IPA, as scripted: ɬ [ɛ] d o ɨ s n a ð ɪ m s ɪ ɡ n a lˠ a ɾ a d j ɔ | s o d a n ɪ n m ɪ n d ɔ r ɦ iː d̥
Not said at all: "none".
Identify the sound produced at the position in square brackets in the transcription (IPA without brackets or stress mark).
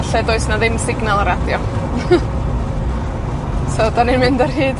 ɛ